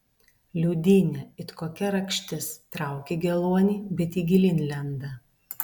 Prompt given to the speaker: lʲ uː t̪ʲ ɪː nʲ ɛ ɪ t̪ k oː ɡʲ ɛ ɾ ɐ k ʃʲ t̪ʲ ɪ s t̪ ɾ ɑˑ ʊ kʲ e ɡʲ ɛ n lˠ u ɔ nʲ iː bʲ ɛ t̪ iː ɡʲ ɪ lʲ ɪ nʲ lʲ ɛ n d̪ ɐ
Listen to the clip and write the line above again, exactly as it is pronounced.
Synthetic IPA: lʲ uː d̪ʲ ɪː nʲ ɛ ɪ t̪ k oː kʲ ɛ ɾ ɐ k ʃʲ t̪ʲ ɪ s t̪ ɾ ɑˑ ʊ kʲ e ɡʲ ɛ lˠ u ɔ nʲ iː bʲ ɛ t̪ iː ɡʲ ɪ lʲ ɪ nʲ lʲ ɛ n d̪ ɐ